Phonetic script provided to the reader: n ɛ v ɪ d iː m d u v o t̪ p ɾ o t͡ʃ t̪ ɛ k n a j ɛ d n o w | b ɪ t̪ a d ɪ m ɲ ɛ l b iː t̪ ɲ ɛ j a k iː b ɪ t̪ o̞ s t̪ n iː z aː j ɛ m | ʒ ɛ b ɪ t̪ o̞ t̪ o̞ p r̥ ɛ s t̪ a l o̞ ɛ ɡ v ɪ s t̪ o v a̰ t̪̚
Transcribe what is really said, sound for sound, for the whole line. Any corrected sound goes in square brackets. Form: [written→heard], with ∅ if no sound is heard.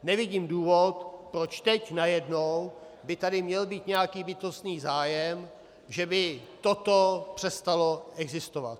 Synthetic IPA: n ɛ v ɪ [d→ɟ] iː m d [u→uː] v o t̪ p ɾ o t͡ʃ t̪ ɛ [k→c] n a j ɛ d n o w | b ɪ t̪ a d ɪ m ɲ ɛ l b iː t̪ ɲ ɛ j a k iː b ɪ t̪ o̞ s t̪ n iː z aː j ɛ m | ʒ ɛ b ɪ t̪ o̞ t̪ o̞ p r̥ ɛ s t̪ a l o̞ ɛ ɡ [v→z] ɪ s t̪ o v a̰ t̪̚